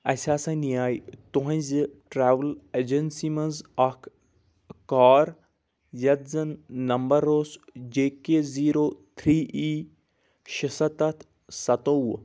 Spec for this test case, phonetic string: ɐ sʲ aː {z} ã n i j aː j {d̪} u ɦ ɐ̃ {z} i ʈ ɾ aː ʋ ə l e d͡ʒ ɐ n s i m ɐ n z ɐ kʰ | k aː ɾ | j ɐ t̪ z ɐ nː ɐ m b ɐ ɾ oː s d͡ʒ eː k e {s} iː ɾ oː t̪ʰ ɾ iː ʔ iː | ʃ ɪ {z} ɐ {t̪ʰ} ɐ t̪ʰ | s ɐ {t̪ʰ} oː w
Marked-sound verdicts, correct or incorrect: incorrect: s, incorrect: t̪, correct, incorrect: z, incorrect: s, incorrect: t̪, incorrect: t̪

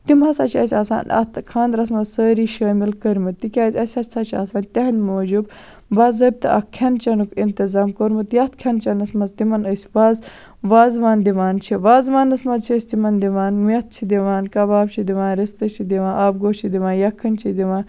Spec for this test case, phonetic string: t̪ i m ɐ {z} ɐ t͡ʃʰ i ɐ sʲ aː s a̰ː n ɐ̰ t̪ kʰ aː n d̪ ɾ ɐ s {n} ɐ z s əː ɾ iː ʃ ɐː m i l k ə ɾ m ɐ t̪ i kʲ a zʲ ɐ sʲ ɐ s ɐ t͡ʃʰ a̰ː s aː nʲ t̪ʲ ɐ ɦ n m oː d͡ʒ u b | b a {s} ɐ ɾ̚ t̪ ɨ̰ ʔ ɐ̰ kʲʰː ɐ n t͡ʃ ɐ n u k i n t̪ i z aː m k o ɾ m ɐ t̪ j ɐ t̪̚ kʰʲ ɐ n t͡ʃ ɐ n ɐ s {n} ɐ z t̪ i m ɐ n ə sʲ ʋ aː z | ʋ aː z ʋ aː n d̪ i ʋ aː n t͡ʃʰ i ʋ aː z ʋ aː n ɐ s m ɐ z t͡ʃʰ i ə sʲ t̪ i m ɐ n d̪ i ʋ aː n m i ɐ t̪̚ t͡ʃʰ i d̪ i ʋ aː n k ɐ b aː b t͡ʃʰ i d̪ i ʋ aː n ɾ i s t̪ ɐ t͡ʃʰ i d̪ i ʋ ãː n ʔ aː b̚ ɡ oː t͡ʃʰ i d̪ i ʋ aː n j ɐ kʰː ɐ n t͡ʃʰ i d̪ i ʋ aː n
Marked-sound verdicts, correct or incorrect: incorrect: s, incorrect: m, incorrect: z, incorrect: m

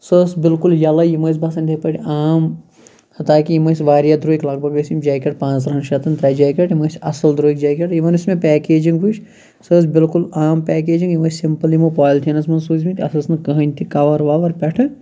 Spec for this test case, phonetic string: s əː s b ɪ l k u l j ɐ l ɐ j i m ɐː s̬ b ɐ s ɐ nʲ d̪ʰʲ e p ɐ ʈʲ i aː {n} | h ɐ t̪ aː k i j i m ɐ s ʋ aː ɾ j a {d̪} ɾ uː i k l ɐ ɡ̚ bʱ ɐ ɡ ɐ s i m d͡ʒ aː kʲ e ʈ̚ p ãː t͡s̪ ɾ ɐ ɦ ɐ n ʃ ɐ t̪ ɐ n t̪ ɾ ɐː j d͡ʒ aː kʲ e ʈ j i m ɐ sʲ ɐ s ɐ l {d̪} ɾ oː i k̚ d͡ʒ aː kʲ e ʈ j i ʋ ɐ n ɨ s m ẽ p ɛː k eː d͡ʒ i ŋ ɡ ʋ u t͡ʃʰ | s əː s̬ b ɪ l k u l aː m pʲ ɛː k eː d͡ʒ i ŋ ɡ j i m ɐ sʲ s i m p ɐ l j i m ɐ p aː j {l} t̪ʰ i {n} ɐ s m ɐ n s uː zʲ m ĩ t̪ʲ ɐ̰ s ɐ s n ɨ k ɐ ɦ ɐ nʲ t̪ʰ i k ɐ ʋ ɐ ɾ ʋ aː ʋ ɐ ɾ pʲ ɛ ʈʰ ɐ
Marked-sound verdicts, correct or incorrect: incorrect: m, correct, correct, correct, correct

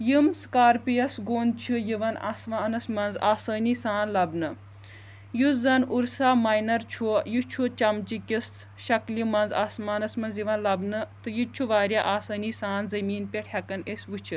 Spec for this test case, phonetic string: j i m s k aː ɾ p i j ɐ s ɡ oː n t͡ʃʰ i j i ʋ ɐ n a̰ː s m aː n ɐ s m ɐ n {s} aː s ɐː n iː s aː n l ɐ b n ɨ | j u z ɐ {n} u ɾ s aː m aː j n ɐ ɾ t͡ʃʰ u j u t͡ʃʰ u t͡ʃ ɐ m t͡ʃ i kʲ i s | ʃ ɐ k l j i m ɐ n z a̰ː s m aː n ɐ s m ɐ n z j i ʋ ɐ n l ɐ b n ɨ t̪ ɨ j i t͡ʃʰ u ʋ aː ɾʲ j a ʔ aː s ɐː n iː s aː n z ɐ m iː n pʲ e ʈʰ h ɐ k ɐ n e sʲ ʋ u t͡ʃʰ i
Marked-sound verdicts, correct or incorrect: incorrect: z, correct

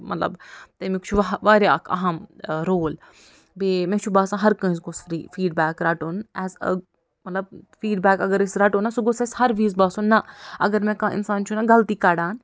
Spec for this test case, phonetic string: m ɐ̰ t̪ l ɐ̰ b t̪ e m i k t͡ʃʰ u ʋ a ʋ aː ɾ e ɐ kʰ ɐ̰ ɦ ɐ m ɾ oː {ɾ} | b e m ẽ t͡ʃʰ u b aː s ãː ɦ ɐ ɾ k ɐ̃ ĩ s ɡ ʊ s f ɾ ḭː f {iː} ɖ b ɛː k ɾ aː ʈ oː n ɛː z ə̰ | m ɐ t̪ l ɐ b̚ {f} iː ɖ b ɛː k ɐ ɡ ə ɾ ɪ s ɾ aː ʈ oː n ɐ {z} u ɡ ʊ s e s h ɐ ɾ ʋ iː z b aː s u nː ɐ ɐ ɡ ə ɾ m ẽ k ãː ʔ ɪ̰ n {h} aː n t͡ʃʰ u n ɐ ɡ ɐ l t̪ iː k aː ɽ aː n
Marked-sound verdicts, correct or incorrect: incorrect: l, correct, correct, incorrect: s, incorrect: s

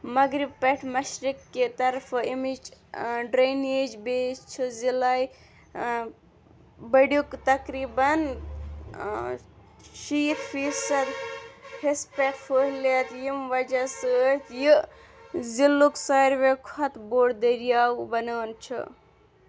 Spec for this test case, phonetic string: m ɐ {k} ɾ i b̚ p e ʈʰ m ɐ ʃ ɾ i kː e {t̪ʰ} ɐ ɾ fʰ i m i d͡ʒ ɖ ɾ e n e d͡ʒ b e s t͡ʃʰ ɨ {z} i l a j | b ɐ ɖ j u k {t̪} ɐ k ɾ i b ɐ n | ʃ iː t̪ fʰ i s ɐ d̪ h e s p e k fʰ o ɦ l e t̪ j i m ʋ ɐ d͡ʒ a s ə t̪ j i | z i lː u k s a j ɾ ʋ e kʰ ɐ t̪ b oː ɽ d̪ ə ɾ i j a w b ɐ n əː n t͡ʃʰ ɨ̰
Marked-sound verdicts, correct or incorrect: incorrect: ɡ, incorrect: t̪, correct, correct

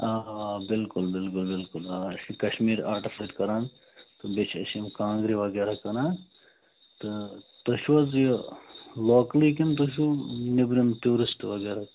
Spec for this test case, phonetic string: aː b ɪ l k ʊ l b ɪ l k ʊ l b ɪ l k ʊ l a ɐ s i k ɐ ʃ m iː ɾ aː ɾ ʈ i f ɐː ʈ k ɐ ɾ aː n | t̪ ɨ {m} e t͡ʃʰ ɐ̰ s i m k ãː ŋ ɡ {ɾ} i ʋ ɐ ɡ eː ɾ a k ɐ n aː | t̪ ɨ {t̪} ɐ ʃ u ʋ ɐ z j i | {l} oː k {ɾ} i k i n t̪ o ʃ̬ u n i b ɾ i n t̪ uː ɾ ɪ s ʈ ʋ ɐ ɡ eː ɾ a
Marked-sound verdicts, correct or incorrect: incorrect: b, correct, correct, correct, incorrect: l

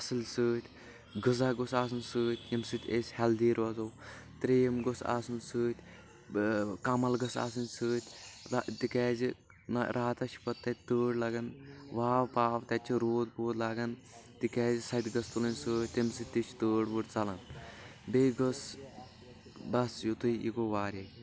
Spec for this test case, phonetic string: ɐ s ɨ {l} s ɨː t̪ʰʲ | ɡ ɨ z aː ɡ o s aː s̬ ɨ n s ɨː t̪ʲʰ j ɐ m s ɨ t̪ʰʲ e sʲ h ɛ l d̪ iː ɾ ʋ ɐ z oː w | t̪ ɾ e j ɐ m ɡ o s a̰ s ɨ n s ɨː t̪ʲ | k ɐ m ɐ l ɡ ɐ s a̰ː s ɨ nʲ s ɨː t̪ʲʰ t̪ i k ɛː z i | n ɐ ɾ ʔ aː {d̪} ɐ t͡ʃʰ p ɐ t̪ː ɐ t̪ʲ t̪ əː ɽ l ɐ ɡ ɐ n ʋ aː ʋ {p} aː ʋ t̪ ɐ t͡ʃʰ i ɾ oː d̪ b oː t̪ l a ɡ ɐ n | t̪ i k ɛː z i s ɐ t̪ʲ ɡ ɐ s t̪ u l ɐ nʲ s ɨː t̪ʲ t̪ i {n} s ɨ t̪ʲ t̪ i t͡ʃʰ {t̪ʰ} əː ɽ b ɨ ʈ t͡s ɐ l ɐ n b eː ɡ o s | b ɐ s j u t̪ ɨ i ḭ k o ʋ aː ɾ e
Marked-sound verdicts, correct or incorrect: correct, incorrect: t̪, correct, incorrect: m, incorrect: t̪

